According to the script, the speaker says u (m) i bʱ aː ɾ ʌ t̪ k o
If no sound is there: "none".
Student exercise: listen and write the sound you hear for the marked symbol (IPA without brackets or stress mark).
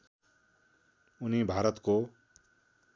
n